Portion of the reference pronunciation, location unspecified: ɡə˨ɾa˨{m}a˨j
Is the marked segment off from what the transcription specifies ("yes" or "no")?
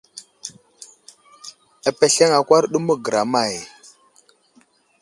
no